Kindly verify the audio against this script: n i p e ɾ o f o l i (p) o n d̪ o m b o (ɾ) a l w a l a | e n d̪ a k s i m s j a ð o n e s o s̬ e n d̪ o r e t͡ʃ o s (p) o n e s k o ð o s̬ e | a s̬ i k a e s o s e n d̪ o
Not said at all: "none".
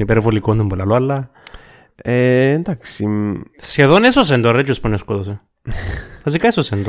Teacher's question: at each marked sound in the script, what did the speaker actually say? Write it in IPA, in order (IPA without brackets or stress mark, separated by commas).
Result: k, l, p